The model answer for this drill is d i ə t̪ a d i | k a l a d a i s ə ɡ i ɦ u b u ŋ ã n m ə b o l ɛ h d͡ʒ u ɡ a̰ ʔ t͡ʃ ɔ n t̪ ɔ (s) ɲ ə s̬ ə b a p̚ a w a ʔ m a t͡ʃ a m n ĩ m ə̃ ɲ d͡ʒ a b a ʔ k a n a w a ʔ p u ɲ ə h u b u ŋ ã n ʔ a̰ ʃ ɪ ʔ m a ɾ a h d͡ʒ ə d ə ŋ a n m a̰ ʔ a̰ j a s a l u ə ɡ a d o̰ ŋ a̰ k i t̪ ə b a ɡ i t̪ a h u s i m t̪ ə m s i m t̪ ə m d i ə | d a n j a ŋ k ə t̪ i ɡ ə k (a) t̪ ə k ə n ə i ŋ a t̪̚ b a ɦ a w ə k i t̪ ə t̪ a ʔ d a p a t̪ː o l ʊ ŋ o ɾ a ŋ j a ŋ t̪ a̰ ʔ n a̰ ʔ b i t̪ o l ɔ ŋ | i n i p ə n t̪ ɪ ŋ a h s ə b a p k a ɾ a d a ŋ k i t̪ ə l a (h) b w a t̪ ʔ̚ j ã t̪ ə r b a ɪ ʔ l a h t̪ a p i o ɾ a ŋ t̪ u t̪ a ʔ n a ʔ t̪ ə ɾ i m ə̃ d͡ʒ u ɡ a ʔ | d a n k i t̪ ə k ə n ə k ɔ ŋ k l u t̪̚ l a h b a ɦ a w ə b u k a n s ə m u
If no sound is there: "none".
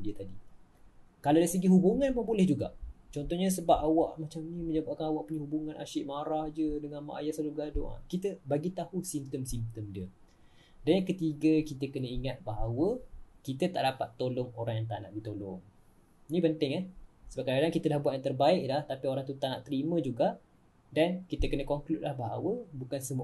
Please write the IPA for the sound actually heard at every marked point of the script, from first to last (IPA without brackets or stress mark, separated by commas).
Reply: h, i, h